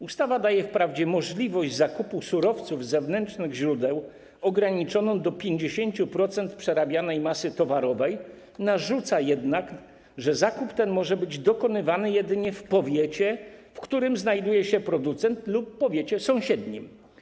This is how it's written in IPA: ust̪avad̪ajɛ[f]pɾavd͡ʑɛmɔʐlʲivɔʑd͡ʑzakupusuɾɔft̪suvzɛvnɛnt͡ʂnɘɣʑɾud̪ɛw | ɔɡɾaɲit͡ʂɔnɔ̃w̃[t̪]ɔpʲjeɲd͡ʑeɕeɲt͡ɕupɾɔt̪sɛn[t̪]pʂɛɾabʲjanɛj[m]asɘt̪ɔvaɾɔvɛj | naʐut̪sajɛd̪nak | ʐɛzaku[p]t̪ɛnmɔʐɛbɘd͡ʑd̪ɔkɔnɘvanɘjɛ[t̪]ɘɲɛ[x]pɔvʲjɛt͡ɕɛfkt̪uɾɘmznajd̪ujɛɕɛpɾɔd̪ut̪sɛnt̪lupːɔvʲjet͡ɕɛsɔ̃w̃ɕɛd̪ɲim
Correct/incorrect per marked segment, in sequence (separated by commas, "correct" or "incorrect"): correct, incorrect, correct, correct, correct, incorrect, incorrect